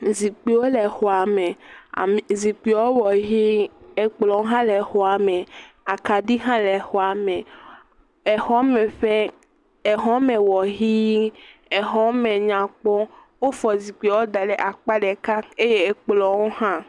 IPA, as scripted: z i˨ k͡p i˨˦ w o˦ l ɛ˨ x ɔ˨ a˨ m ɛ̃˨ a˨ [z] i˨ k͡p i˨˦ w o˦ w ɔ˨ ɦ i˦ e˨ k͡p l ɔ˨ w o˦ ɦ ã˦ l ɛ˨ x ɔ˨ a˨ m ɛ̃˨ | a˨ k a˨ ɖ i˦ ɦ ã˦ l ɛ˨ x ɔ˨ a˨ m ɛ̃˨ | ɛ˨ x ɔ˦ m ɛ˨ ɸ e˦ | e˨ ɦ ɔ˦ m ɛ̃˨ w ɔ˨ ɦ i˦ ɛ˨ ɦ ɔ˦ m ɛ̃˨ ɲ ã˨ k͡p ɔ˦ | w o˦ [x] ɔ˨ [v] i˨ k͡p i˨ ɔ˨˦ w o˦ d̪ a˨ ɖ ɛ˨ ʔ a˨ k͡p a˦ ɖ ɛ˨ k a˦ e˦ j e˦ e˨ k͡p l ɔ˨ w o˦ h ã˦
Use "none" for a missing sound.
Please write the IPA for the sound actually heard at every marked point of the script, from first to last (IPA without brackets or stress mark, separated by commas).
z, f, z